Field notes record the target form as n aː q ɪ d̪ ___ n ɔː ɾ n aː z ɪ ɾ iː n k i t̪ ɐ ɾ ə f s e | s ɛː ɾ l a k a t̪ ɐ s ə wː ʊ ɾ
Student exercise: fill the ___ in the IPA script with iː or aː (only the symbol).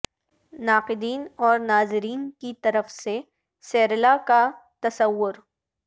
iː